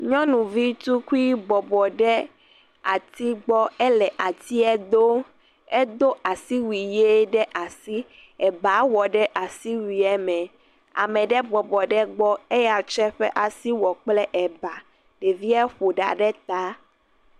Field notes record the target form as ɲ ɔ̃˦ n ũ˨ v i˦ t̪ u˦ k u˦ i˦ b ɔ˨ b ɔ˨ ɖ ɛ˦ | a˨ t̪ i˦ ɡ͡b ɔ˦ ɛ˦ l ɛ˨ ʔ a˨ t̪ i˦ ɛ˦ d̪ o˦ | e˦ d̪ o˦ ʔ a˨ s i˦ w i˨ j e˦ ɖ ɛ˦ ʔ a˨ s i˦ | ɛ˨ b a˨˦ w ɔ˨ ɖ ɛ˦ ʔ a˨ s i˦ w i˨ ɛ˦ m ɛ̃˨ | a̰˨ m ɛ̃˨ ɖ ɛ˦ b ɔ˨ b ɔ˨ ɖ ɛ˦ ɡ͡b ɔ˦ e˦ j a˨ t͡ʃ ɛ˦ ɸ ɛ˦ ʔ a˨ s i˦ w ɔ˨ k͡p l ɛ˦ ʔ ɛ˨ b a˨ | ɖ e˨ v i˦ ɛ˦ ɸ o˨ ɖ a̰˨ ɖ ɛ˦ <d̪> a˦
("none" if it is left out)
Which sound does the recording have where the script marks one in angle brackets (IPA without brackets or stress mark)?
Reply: t̪